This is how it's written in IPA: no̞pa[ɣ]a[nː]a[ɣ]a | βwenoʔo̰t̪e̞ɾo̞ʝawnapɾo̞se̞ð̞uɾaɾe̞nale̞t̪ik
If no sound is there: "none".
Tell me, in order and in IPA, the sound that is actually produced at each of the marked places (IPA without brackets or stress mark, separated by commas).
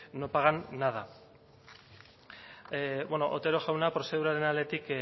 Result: ɣ, nː, ð